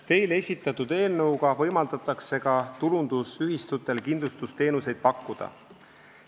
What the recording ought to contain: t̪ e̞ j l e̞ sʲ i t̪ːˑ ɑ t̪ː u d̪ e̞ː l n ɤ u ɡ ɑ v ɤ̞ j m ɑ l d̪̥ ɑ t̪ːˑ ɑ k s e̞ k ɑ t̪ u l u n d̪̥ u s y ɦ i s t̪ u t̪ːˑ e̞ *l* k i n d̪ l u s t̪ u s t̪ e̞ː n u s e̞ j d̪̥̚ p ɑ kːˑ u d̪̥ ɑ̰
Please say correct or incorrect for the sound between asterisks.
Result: correct